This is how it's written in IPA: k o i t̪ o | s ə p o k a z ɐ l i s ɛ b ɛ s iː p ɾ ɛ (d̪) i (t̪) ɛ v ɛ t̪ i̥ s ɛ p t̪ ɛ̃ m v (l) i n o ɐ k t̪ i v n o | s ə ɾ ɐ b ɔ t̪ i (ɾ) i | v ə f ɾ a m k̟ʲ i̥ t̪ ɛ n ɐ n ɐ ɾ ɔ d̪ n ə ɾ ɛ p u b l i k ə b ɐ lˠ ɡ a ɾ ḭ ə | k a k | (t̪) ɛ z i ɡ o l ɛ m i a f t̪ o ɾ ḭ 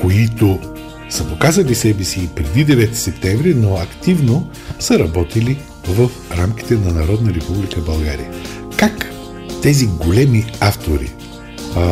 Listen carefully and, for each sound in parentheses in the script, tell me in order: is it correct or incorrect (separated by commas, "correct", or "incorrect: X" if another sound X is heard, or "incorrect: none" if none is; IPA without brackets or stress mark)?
correct, incorrect: d̪, incorrect: ɾ, incorrect: l, correct